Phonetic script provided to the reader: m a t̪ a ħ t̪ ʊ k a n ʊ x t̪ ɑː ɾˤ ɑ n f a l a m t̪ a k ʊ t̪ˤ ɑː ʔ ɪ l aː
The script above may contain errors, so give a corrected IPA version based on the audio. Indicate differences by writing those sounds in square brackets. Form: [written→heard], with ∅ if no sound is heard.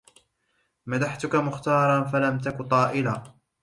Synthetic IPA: m a [t̪→d̪] a ħ t̪ ʊ k a [n→m] ʊ x t̪ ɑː ɾˤ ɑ n f a l a m t̪ a k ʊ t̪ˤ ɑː ʔ ɪ l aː